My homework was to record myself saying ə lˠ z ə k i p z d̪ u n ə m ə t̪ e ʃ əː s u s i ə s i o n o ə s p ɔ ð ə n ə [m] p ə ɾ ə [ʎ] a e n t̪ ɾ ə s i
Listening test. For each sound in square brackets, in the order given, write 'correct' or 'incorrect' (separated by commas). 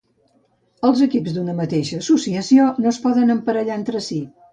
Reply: correct, correct